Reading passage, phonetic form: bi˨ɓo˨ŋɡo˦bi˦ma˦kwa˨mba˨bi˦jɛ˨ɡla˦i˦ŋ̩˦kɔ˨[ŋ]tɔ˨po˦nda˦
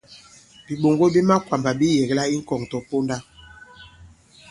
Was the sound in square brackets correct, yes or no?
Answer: yes